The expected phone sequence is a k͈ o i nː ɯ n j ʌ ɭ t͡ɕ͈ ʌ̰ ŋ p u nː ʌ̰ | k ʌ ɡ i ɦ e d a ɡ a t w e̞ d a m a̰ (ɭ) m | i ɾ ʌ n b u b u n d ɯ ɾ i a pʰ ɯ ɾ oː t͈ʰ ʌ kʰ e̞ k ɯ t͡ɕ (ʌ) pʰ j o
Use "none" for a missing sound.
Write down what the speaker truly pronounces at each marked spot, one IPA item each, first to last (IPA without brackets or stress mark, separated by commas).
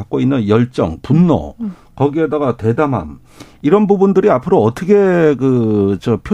none, ʌ